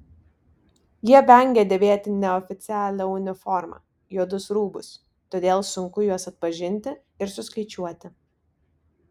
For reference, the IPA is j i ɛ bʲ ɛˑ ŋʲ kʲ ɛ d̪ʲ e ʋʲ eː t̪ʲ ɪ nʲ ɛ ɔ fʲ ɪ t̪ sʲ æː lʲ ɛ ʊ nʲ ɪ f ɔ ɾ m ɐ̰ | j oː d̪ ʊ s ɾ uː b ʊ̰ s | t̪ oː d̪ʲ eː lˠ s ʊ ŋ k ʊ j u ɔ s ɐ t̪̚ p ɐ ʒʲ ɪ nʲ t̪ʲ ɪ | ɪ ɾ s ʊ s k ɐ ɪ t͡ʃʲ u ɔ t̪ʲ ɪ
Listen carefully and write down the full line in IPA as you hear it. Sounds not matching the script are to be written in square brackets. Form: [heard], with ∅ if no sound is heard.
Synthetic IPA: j i ɛ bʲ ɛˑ ŋʲ [ɡʲ] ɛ d̪ʲ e ʋʲ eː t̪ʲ ɪ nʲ ɛ ɔ fʲ ɪ t̪ sʲ æː lʲ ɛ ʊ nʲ ɪ f ɔ ɾ m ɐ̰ | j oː d̪ ʊ s ɾ uː b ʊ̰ s | t̪ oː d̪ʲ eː lˠ s ʊ ŋ k ʊ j u ɔ s ɐ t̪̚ p ɐ ʒʲ ɪ nʲ t̪ʲ ɪ | ɪ ɾ s ʊ s k ɐ ɪ t͡ʃʲ u ɔ t̪ʲ ɪ

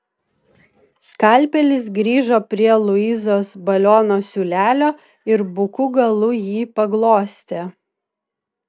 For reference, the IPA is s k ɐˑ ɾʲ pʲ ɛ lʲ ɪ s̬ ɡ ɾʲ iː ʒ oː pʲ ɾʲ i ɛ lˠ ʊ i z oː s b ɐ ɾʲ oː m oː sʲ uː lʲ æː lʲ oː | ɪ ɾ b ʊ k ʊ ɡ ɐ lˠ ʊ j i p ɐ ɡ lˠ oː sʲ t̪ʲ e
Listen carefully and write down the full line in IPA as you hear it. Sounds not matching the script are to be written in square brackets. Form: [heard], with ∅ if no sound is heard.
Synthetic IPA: s k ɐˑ [lʲ] pʲ ɛ lʲ ɪ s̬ ɡ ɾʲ iː ʒ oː pʲ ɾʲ i ɛ lˠ ʊ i z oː s b ɐ [lʲ] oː [n] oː sʲ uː lʲ æː lʲ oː | ɪ ɾ b ʊ k ʊ ɡ ɐ lˠ ʊ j [iː] p ɐ ɡ lˠ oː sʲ t̪ʲ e

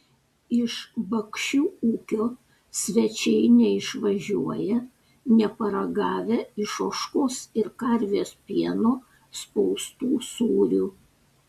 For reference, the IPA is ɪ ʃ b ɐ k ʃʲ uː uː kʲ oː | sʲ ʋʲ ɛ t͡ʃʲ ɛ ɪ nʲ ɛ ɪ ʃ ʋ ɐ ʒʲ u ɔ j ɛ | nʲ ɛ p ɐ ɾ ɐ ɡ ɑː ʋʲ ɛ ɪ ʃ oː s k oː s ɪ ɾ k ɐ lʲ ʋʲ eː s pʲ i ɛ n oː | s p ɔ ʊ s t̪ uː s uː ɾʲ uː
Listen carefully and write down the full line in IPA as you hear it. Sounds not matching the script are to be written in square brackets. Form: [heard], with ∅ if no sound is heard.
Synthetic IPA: ɪ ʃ b ɐ k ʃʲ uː uː kʲ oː | sʲ ʋʲ ɛ t͡ʃʲ ɛ ɪ nʲ ɛ ɪ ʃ ʋ ɐ ʒʲ u ɔ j ɛ | nʲ ɛ p ɐ ɾ ɐ ɡ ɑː ʋʲ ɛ ɪ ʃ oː [ʃ] k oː s ɪ ɾ k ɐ [ɾʲ] ʋʲ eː s pʲ i ɛ n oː | s p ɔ ʊ s t̪ uː s uː ɾʲ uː

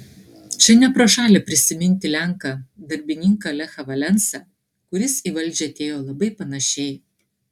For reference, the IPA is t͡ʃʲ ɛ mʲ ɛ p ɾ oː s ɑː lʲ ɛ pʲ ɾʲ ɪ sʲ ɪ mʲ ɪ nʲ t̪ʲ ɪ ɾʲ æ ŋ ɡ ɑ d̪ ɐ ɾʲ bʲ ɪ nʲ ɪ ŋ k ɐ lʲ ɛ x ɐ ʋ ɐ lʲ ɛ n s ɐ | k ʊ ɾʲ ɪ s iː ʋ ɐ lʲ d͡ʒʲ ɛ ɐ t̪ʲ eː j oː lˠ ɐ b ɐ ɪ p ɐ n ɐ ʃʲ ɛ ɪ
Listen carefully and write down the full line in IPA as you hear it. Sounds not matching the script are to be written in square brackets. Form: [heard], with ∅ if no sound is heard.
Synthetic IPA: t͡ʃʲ ɛ [nʲ] ɛ p ɾ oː [ʃ] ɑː lʲ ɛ pʲ ɾʲ ɪ sʲ ɪ mʲ ɪ nʲ t̪ʲ ɪ [lʲ] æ ŋ [k] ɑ d̪ ɐ ɾʲ bʲ ɪ nʲ ɪ ŋ k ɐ lʲ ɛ x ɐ ʋ ɐ lʲ ɛ n s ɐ | k ʊ ɾʲ ɪ s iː ʋ ɐ lʲ d͡ʒʲ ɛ ɐ t̪ʲ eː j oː lˠ ɐ b ɐ ɪ p ɐ n ɐ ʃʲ ɛ ɪ

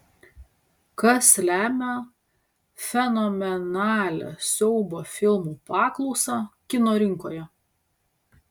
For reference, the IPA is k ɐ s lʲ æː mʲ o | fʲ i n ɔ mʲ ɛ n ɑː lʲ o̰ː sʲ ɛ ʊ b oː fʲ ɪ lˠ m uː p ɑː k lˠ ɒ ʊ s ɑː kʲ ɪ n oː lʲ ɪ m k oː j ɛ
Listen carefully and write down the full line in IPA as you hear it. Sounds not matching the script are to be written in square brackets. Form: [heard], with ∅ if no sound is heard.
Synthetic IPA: k ɐ s lʲ æː mʲ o | fʲ [ɛ] n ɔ mʲ ɛ n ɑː lʲ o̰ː sʲ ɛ ʊ b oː fʲ ɪ lˠ m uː p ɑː k lˠ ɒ ʊ s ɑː kʲ ɪ n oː [ɾʲ] ɪ [ŋ] k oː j ɛ

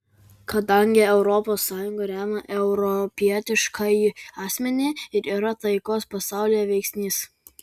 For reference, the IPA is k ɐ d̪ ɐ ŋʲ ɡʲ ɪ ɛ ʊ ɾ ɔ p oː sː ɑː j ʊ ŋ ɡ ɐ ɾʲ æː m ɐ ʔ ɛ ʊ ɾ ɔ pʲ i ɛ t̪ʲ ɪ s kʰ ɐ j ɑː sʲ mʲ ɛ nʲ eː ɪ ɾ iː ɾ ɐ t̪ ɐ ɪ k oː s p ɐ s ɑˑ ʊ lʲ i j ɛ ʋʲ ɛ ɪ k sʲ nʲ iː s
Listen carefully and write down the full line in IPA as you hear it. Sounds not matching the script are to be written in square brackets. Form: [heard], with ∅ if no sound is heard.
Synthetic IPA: k ɐ d̪ ɐ ŋʲ ɡʲ ɪ ɛ ʊ ɾ ɔ p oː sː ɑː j ʊ ŋ ɡ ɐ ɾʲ æː m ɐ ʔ ɛ ʊ ɾ ɔ pʲ i ɛ t̪ʲ ɪ [ʃ] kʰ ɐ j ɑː sʲ mʲ ɛ nʲ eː ɪ ɾ iː ɾ ɐ t̪ ɐ ɪ k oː s p ɐ s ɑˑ ʊ lʲ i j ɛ ʋʲ ɛ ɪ k sʲ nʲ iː s

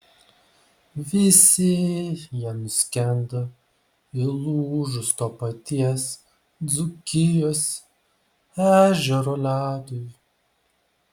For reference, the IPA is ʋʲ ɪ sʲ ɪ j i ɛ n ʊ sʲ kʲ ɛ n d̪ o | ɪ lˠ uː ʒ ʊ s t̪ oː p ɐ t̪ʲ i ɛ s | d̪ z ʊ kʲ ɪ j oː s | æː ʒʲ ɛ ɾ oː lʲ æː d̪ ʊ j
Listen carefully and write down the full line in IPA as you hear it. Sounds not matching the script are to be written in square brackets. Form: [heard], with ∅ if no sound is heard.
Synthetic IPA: ʋʲ ɪ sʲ ɪ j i ɛ n ʊ sʲ kʲ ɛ n d̪ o | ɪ lˠ uː ʒ ʊ s t̪ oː p ɐ t̪ʲ i ɛ s | d̪ z ʊ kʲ ɪ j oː s | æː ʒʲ ɛ ɾ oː lʲ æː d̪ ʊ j

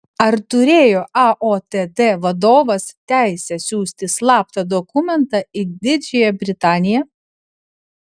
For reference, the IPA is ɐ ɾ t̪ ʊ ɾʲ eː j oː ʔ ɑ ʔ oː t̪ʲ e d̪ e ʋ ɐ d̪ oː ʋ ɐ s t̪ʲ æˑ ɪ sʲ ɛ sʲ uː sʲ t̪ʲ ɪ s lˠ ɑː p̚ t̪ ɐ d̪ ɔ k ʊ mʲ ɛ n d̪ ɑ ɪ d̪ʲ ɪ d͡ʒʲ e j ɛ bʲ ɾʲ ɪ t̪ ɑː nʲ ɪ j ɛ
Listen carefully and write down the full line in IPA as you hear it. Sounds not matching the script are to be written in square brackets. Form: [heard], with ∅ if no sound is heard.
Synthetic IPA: ɐ ɾ t̪ ʊ ɾʲ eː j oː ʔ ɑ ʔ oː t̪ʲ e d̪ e ʋ ɐ d̪ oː ʋ ɐ s t̪ʲ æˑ ɪ sʲ ɛ sʲ uː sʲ t̪ʲ ɪ s lˠ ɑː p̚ t̪ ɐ d̪ ɔ k ʊ mʲ ɛ n [t̪] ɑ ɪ d̪ʲ ɪ d͡ʒʲ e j ɛ bʲ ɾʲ ɪ t̪ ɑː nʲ ɪ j ɛ

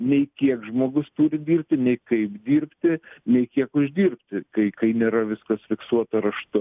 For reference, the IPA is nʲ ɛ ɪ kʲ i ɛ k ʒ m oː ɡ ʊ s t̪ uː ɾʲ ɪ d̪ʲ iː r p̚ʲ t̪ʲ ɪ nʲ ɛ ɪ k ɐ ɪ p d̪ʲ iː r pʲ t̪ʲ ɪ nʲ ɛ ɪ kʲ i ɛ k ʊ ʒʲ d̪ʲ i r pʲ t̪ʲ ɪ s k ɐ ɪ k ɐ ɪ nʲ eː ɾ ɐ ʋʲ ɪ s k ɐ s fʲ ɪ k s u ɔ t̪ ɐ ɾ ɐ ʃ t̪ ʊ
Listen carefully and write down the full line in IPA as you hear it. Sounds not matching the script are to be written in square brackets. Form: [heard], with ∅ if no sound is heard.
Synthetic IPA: nʲ ɛ ɪ kʲ i ɛ k ʒ m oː ɡ ʊ s t̪ uː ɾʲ ɪ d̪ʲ iː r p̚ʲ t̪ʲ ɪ nʲ ɛ ɪ k ɐ ɪ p d̪ʲ iː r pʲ t̪ʲ ɪ nʲ ɛ ɪ kʲ i ɛ k ʊ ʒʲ d̪ʲ [iː] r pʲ t̪ʲ ɪ [∅] k ɐ ɪ k ɐ ɪ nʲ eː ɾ ɐ ʋʲ ɪ s k ɐ s fʲ ɪ k s u ɔ t̪ ɐ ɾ ɐ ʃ t̪ ʊ

